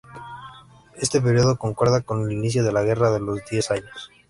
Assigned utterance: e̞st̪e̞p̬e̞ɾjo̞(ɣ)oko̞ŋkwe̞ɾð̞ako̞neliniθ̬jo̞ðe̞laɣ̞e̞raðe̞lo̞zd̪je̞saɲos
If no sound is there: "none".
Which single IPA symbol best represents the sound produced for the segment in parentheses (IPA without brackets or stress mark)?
ð